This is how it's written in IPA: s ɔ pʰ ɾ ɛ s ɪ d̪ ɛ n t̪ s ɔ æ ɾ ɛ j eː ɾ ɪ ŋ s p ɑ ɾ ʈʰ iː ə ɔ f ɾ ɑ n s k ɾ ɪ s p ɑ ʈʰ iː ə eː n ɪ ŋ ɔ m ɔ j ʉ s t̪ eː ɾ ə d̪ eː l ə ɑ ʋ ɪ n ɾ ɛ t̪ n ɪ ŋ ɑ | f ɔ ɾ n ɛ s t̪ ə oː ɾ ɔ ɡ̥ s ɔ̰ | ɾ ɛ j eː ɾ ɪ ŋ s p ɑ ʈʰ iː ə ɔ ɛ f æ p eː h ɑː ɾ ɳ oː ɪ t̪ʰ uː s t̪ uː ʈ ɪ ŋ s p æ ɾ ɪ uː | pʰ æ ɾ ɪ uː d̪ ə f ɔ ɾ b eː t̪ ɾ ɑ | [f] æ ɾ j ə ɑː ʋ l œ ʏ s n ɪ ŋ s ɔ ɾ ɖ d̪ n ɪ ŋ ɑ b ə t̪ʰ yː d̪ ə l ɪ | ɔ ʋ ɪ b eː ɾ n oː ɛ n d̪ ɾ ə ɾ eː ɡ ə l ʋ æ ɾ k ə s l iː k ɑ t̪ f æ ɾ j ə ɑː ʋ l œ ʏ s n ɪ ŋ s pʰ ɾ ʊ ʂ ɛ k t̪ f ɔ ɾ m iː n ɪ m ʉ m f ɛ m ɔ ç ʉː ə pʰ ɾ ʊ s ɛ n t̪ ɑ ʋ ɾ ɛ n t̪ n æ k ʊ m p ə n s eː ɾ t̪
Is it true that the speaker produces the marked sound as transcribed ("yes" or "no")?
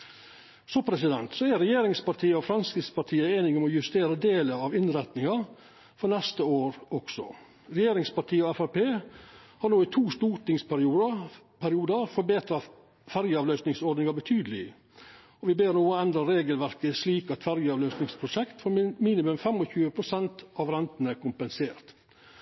yes